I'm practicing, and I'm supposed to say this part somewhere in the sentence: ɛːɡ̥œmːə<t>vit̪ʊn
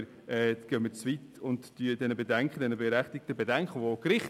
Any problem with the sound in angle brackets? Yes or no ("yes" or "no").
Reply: yes